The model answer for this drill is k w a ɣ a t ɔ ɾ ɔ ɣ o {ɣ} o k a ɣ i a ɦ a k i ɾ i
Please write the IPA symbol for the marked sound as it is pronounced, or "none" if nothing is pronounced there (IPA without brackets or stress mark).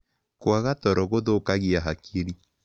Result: ð